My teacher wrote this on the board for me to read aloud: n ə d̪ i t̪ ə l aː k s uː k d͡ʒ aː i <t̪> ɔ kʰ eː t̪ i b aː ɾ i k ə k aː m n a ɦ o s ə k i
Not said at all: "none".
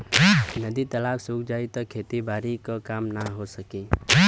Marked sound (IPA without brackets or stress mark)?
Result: t̪